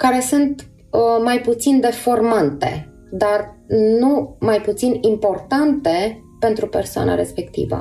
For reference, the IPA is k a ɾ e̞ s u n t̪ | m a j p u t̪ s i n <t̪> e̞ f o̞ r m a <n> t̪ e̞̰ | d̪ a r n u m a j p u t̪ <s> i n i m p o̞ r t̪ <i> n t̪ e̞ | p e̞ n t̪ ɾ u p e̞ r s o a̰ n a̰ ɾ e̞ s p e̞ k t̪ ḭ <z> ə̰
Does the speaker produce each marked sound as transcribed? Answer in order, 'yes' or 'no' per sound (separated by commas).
no, yes, yes, no, no